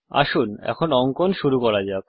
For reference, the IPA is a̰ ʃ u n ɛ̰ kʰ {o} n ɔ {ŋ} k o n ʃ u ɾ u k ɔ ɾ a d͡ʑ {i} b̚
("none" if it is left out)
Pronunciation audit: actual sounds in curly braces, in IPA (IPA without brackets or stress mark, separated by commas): o, ŋ, a